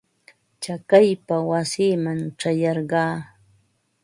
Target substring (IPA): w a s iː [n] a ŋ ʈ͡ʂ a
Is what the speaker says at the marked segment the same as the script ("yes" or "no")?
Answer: no